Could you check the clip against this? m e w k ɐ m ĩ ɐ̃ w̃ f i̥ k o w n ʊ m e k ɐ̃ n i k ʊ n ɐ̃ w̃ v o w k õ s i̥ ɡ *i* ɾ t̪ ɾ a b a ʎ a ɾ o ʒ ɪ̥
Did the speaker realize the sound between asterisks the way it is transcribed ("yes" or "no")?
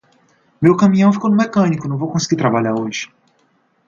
yes